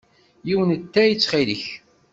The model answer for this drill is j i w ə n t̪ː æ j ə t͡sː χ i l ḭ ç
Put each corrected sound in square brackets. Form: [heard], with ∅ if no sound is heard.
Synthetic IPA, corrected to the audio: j i w ə n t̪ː æ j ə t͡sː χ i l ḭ ç